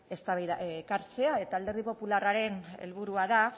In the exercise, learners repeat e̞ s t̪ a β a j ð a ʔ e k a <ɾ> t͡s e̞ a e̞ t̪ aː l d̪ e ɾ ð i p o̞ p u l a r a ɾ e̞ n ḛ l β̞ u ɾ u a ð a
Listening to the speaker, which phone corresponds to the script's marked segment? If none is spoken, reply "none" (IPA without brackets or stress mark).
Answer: ɾ